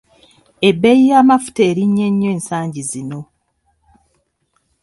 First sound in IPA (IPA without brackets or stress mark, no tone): e̞